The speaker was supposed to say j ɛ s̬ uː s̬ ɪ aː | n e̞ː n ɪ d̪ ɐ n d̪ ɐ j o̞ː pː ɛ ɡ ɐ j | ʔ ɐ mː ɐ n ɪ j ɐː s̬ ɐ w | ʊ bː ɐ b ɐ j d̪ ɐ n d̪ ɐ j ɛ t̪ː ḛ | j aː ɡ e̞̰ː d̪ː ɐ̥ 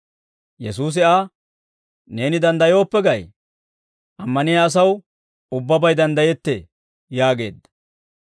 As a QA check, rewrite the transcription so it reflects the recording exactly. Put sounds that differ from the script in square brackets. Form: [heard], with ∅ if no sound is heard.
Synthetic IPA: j ɛ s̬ uː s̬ ɪ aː | n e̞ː n ɪ d̪ ɐ n d̪ ɐ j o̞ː pː ɛ ɡ ɐ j | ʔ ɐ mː ɐ n ɪ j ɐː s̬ ɐ w | ʊ bː ɐ b ɐ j d̪ ɐ n d̪ ɐ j ɛ t̪ː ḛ | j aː ɡ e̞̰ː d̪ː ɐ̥